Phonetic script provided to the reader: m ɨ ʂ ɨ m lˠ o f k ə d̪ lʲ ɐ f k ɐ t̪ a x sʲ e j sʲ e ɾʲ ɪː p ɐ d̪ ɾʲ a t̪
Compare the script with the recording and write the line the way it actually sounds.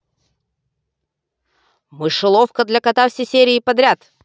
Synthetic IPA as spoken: m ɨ ʂ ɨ lˠ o f k ə d̪ lʲ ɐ k ɐ t̪ a f sʲ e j sʲ e ɾʲ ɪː p ɐ d̪ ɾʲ a t̪